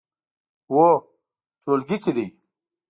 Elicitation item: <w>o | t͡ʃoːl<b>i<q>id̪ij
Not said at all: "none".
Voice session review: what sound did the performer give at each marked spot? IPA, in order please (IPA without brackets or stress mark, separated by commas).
w, ɡ, k